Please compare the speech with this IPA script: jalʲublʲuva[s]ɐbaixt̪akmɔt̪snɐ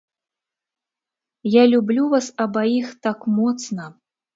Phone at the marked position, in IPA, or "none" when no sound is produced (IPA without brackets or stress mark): s